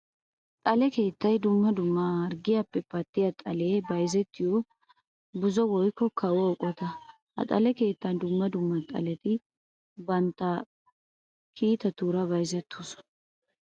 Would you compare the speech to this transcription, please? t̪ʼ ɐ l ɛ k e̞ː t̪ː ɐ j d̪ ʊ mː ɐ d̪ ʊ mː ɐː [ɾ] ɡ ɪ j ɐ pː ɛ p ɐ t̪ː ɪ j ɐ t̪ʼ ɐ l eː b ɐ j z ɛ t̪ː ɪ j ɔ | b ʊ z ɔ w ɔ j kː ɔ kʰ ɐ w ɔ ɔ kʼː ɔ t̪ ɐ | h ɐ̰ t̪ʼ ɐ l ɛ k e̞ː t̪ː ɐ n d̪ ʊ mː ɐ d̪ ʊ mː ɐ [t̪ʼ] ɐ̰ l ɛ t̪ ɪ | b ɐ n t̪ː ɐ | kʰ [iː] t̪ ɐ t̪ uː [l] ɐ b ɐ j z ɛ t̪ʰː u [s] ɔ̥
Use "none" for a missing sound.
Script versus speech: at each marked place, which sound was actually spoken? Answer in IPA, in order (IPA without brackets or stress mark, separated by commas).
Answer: ɾ, t̪ʼ, iː, ɾ, s